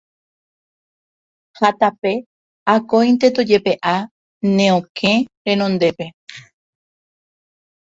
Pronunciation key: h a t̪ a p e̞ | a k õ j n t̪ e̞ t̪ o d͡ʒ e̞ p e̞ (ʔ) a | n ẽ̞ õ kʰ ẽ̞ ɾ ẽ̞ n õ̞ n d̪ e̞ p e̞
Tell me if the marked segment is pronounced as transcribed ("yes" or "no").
yes